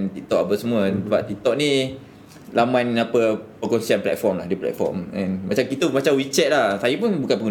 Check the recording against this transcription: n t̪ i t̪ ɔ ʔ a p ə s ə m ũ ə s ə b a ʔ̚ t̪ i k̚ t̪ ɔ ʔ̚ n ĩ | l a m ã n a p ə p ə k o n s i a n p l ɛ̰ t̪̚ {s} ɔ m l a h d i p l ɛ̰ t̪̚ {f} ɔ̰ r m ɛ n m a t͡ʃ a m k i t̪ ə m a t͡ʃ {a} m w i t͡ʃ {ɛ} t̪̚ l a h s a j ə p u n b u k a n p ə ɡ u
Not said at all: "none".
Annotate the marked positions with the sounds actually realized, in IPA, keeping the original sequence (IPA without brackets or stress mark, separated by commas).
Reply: f, f, a, ɛ